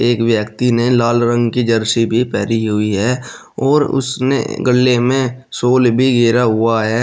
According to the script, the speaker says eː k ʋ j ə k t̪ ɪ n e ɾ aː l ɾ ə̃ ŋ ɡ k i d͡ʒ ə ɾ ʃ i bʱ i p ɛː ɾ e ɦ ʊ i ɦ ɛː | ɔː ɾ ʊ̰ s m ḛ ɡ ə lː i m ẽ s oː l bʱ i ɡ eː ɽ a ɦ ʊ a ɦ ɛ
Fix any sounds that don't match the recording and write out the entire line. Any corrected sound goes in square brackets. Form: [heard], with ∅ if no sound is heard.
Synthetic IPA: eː k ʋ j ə k t̪ [i] n e [l] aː l ɾ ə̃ ŋ ɡ k i d͡ʒ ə ɾ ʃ i bʱ i p ɛː ɾ [i] ɦ ʊ i ɦ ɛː | ɔː ɾ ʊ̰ s [n] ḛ ɡ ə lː [e] m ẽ s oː l bʱ i ɡ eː [ɾ] a ɦ ʊ a ɦ ɛ

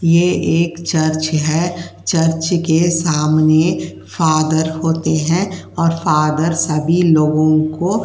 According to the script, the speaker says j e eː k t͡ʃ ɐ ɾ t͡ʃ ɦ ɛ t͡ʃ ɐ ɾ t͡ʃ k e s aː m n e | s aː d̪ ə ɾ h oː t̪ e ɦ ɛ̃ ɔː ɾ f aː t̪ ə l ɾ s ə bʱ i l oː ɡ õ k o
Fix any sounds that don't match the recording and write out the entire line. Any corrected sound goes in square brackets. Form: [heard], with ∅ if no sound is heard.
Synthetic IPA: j e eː k t͡ʃ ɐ ɾ t͡ʃ ɦ ɛ t͡ʃ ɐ ɾ t͡ʃ k e s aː m n e | [f] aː d̪ ə ɾ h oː t̪ e ɦ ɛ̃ ɔː ɾ f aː [d̪] ə [∅] ɾ s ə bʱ i l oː ɡ õ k o

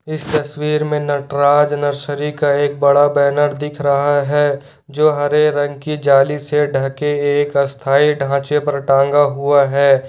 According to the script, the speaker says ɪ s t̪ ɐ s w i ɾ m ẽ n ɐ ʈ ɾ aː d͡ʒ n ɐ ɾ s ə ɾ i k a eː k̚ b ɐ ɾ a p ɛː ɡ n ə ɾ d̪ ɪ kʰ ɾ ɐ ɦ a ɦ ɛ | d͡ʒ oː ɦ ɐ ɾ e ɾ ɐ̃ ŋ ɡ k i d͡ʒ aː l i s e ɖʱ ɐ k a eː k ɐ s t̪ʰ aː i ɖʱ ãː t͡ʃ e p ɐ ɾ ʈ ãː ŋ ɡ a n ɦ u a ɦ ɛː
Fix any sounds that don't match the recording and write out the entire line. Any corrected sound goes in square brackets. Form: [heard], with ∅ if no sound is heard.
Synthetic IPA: ɪ s t̪ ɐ s w [iː] ɾ m ẽ n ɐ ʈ ɾ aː d͡ʒ n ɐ ɾ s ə ɾ i k a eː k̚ b ɐ [ɽ] a [b] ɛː [∅] n ə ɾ d̪ ɪ kʰ ɾ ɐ ɦ a ɦ ɛ | d͡ʒ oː ɦ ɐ ɾ e ɾ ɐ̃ ŋ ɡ k i d͡ʒ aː l i s e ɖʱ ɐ k [e] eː k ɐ s t̪ʰ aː i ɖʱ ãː t͡ʃ e p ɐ ɾ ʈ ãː ŋ ɡ a [∅] ɦ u a ɦ ɛː

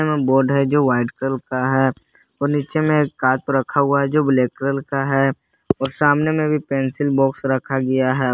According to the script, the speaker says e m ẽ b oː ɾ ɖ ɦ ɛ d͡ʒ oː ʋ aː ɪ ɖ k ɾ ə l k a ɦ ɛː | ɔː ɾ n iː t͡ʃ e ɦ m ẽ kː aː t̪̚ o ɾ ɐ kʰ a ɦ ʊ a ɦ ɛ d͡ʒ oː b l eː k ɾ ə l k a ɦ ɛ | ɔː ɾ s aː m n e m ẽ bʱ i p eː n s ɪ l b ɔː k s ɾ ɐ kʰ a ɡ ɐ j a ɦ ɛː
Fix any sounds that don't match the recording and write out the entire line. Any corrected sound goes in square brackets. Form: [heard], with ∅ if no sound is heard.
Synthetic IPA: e m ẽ b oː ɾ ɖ ɦ ɛ d͡ʒ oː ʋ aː ɪ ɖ k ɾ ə l k a ɦ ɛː | ɔː ɾ n iː t͡ʃ e [∅] m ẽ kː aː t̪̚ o ɾ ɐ kʰ a ɦ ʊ a ɦ ɛ d͡ʒ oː b l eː k ɾ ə l k a ɦ ɛ | ɔː ɾ s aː m n e m ẽ bʱ i p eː n s ɪ l b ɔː k s ɾ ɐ kʰ a ɡ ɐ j a ɦ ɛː

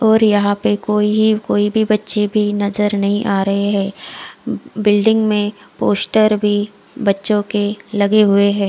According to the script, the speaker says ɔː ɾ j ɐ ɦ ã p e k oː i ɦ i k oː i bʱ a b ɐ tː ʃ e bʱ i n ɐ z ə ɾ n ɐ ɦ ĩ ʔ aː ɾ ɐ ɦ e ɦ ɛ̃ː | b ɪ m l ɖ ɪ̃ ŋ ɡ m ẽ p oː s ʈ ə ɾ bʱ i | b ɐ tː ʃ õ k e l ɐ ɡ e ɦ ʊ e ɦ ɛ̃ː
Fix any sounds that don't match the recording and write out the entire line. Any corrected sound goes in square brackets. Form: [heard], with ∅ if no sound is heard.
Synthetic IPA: ɔː ɾ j ɐ ɦ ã p e k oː i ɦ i k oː i bʱ [i] b ɐ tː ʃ e bʱ i n ɐ z ə ɾ n ɐ ɦ ĩ ʔ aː ɾ ɐ ɦ e ɦ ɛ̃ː | b ɪ [∅] l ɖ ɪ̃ ŋ ɡ m ẽ p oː s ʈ ə ɾ bʱ i | b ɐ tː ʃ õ k e l ɐ ɡ e ɦ ʊ e ɦ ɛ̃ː

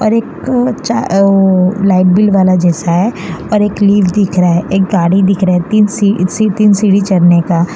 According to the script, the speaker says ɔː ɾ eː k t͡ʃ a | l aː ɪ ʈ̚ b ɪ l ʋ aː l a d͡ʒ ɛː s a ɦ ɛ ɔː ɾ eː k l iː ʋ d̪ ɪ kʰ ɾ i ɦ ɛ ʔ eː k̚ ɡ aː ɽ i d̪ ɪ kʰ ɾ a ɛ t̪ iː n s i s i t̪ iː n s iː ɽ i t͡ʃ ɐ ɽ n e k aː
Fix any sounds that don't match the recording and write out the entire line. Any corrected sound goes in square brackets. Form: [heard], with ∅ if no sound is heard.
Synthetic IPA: ɔː ɾ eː k t͡ʃ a | l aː ɪ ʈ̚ b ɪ l ʋ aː l a d͡ʒ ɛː s a ɦ ɛ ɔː ɾ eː k l iː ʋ d̪ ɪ kʰ ɾ [a] ɦ ɛ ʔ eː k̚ ɡ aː ɽ i d̪ ɪ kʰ ɾ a ɛ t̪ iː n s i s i t̪ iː n s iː ɽ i t͡ʃ ɐ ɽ n e k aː

